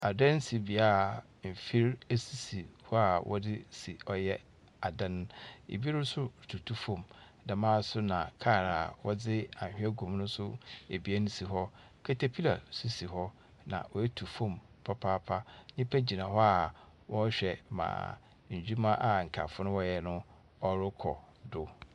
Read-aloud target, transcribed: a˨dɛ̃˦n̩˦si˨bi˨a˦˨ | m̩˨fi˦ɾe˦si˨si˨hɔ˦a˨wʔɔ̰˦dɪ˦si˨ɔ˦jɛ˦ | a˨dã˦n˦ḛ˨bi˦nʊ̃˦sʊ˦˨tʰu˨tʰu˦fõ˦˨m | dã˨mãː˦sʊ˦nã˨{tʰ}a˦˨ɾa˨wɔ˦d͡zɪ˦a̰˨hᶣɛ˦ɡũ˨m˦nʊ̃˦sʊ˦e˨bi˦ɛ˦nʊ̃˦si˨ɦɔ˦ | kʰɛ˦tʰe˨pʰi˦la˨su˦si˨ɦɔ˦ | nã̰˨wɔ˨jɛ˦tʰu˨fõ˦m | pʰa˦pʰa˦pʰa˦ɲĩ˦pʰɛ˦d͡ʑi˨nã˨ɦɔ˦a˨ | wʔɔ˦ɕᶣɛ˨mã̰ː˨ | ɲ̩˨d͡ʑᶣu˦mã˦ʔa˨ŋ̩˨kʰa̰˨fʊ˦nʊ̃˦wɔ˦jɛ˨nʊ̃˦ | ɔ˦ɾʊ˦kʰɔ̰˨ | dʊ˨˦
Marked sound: incorrect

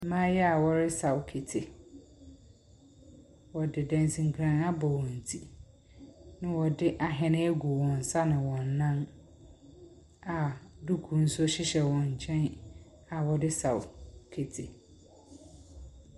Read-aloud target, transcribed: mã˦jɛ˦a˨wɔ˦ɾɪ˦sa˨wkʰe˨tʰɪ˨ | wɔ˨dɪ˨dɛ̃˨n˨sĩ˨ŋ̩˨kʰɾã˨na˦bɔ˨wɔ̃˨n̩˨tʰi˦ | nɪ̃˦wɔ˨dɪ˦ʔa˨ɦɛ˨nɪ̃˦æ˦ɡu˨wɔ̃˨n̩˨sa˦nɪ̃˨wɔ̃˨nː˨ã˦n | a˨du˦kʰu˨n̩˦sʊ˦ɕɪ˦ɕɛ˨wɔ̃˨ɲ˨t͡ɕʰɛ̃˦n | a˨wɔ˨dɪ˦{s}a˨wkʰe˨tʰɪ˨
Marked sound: correct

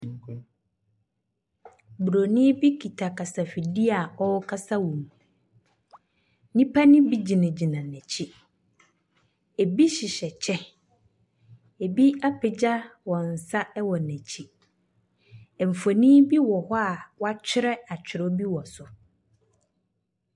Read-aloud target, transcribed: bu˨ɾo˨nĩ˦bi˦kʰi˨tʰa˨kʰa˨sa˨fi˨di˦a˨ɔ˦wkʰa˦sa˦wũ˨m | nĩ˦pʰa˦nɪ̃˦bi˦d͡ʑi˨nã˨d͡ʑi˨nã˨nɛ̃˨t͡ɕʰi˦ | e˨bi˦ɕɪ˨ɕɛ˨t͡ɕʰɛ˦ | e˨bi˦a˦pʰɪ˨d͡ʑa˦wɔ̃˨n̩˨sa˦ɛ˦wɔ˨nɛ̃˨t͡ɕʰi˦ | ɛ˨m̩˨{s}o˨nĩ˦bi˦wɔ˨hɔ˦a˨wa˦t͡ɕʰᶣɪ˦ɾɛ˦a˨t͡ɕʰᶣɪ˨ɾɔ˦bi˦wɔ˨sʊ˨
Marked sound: incorrect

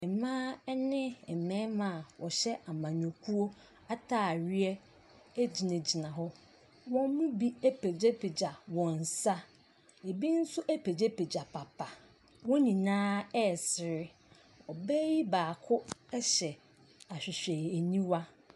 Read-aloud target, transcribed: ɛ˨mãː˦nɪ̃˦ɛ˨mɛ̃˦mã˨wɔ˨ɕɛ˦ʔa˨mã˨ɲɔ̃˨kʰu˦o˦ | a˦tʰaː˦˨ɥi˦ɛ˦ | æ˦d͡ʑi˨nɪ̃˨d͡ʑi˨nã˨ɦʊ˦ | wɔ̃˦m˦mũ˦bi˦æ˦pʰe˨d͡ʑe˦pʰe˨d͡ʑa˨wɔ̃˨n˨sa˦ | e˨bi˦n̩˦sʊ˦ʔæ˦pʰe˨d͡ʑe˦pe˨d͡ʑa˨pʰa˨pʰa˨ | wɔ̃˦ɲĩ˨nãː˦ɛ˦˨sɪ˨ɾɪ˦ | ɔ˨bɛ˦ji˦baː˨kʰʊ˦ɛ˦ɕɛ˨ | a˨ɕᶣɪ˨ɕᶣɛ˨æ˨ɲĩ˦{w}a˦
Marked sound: correct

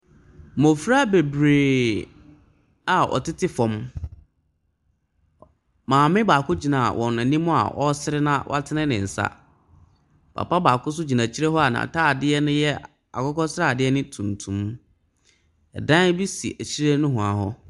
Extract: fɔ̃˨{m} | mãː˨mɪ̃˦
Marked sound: correct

